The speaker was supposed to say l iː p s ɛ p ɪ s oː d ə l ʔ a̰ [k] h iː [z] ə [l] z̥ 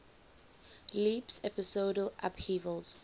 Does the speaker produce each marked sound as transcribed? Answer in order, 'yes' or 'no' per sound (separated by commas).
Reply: no, no, yes